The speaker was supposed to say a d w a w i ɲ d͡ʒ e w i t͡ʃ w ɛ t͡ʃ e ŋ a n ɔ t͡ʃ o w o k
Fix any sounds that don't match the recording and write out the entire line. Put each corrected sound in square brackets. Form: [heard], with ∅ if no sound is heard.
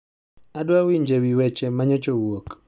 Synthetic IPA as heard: a d w a w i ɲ d͡ʒ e w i [∅] w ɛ t͡ʃ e [m] a [ɲ] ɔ t͡ʃ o w o k

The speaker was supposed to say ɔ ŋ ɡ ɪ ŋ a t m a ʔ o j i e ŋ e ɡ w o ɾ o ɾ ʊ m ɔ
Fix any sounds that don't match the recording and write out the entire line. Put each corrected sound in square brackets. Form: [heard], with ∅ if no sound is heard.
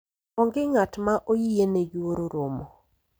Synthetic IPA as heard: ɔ ŋ ɡ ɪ ŋ a t m a ʔ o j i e [n] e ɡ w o ɾ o ɾ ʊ m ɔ

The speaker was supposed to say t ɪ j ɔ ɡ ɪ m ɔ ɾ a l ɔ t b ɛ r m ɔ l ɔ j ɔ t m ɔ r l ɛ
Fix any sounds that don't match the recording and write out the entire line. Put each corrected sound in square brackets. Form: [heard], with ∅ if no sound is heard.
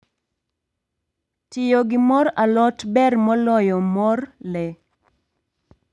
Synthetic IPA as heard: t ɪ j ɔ ɡ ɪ m ɔ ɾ a l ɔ t b ɛ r m ɔ l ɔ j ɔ [∅] m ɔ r l ɛ

